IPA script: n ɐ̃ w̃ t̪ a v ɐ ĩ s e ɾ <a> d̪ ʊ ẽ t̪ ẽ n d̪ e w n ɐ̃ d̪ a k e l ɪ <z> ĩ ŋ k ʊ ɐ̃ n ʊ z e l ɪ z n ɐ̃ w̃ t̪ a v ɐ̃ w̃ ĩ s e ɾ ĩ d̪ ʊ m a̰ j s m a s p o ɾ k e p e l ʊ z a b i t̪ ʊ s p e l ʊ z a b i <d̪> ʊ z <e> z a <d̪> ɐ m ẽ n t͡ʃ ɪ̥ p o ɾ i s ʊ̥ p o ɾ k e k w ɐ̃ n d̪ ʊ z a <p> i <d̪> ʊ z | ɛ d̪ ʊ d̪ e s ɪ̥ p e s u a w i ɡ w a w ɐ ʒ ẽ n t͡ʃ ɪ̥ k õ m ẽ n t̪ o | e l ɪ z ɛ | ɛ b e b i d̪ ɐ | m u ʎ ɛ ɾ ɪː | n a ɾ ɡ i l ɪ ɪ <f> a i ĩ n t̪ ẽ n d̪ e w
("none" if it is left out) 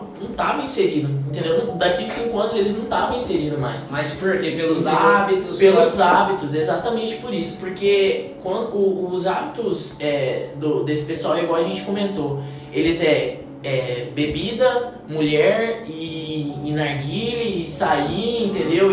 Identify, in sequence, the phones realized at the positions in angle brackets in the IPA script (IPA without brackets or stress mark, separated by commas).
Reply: i, s, t̪, e, t̪, b, t̪, s